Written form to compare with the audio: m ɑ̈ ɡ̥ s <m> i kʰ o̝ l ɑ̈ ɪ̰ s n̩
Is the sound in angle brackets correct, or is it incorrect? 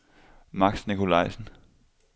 incorrect